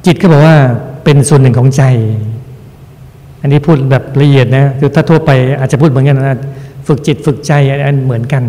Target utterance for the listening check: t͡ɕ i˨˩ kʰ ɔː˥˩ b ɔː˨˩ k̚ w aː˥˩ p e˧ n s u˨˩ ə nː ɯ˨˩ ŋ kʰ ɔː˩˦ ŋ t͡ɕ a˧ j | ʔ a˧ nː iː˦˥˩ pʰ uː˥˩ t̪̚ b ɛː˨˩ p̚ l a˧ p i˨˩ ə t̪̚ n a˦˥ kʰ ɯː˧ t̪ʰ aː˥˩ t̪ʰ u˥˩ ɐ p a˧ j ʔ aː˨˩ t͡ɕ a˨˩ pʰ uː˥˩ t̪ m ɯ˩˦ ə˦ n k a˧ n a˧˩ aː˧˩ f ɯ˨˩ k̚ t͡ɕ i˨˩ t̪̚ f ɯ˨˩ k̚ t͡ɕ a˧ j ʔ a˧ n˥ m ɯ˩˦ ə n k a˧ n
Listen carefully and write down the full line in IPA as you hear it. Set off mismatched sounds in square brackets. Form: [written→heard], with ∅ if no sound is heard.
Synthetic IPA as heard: t͡ɕ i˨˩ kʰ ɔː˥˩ b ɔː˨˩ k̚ w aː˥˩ p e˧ n s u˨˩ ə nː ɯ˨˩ ŋ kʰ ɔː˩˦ ŋ t͡ɕ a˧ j | ʔ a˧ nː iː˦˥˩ pʰ uː˥˩ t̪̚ b ɛː˨˩ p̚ l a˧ [p→ʔ] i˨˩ ə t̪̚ n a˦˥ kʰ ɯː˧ t̪ʰ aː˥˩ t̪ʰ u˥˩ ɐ p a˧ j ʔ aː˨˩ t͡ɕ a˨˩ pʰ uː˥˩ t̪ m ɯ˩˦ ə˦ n k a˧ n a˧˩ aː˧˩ f ɯ˨˩ k̚ t͡ɕ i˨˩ t̪̚ f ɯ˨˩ k̚ t͡ɕ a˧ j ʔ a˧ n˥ m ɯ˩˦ ə n k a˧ n